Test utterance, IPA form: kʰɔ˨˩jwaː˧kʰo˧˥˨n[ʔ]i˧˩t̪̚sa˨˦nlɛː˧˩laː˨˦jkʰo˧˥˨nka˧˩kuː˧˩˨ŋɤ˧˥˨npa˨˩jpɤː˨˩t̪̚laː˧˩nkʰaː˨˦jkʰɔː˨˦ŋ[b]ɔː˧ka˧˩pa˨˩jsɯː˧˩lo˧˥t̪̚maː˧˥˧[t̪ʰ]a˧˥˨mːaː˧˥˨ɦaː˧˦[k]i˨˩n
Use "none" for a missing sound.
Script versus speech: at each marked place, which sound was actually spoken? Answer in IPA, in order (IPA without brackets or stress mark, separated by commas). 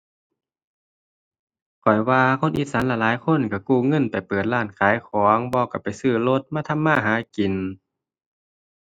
ʔ, b, t̪ʰ, k